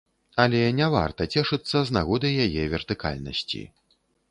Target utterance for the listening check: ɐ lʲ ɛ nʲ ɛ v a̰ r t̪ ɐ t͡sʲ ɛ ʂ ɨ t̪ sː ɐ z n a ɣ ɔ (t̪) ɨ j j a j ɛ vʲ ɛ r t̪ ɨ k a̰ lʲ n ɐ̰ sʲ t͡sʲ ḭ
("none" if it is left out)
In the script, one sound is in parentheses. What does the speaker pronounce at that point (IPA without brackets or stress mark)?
d̪